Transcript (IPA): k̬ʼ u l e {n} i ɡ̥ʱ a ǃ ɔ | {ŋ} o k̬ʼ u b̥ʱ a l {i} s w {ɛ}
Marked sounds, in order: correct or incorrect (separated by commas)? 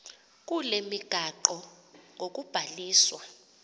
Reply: incorrect, correct, incorrect, incorrect